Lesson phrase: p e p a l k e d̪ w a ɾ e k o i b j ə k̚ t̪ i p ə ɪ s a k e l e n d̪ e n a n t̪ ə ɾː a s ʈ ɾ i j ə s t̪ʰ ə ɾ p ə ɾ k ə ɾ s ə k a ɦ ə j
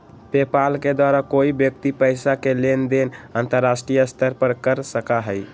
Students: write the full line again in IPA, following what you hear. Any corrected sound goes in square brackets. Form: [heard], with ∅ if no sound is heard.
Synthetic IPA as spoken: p e p a l k e d̪ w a ɾ [a] k o i b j ə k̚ t̪ i p ə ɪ s a k e l e n d̪ e n a n t̪ ə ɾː a s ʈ ɾ i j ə s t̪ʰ ə ɾ p ə ɾ k ə ɾ s ə k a ɦ ə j